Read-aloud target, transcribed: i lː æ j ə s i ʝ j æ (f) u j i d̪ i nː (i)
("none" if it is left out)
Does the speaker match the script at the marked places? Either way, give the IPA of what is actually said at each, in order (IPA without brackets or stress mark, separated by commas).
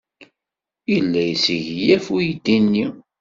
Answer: f, i